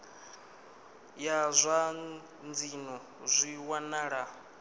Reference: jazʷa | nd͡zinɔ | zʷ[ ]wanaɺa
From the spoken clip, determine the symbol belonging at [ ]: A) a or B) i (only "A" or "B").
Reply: B